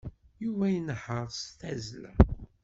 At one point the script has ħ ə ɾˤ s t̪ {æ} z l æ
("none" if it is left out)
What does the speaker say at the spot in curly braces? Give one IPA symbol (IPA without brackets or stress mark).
æ